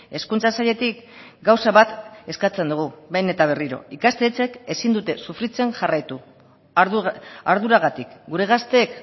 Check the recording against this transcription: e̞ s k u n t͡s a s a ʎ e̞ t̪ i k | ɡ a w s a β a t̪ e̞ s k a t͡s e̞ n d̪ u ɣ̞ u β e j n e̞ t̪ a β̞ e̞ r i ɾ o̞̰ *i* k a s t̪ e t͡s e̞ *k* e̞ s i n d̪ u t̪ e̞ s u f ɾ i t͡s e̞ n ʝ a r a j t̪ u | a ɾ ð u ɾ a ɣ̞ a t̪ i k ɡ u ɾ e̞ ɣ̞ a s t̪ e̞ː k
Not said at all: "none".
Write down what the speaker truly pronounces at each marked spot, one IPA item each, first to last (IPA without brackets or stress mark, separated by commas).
i, k